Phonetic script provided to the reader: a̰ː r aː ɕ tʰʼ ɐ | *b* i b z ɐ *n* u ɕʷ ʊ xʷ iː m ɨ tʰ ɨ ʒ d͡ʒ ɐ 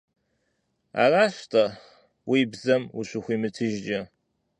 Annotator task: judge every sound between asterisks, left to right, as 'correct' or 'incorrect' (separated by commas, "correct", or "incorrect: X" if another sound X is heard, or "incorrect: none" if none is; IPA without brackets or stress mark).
incorrect: w, incorrect: m